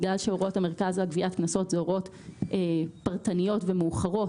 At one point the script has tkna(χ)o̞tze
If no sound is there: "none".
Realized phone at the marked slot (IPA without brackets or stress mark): s